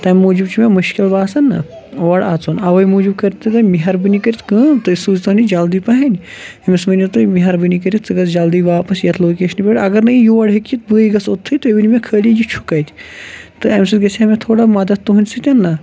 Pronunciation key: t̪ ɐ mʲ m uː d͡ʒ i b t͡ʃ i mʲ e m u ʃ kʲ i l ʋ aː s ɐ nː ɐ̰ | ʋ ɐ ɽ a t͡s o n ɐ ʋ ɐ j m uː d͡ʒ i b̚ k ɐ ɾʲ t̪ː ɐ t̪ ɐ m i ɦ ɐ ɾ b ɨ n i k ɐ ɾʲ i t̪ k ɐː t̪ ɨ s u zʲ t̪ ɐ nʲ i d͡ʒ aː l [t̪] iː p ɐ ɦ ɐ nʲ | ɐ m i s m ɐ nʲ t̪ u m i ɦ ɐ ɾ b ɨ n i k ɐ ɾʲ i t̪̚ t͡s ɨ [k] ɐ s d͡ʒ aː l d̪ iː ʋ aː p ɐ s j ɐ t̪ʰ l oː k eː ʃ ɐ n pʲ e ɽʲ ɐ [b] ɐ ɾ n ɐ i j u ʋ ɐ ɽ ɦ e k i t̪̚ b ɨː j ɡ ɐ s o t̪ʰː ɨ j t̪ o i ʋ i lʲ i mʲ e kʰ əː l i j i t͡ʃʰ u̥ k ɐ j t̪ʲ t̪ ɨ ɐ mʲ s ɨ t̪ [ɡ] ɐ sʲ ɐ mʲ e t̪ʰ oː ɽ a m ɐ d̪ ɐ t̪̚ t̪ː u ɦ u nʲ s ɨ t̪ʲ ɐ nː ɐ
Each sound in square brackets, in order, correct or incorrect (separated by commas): incorrect, incorrect, incorrect, correct